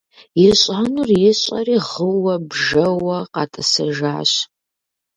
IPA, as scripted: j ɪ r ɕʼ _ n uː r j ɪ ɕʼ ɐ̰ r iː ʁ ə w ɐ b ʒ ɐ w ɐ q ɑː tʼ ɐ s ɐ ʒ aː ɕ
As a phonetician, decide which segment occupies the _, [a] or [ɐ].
a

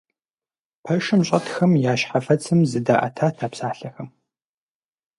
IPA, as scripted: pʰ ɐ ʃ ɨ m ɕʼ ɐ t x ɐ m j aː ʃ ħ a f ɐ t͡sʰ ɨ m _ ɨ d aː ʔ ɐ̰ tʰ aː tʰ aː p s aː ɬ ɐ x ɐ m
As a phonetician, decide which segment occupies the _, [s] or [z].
z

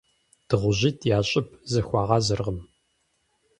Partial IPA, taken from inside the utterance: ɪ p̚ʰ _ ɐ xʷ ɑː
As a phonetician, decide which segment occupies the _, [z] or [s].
z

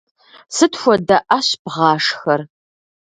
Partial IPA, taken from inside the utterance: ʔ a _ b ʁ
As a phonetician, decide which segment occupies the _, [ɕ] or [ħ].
ɕ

